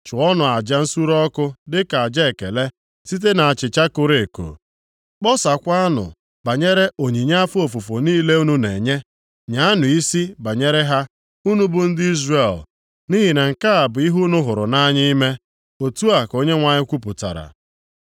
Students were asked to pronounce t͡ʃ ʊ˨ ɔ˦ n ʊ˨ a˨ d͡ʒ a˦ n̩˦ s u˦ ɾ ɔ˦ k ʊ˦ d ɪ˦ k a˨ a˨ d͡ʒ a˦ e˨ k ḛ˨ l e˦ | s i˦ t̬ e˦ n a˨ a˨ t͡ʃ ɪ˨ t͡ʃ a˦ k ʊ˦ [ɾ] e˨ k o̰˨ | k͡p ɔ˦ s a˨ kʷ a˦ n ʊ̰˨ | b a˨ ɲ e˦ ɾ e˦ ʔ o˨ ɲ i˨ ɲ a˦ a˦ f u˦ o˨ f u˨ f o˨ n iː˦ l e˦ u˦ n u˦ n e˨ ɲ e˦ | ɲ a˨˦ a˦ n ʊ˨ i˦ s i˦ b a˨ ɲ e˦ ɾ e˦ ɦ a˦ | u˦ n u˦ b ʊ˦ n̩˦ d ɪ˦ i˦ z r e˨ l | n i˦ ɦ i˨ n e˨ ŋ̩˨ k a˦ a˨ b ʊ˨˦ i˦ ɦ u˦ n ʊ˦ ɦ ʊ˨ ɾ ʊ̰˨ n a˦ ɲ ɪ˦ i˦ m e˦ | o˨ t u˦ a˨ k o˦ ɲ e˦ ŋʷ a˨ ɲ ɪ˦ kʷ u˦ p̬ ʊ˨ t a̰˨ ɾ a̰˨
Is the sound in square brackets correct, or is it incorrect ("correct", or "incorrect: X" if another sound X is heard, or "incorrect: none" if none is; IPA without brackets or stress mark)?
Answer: correct